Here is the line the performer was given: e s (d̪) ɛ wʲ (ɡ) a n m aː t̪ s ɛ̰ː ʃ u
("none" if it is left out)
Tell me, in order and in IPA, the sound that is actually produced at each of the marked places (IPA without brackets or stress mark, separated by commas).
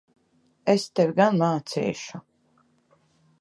t̪, ɡ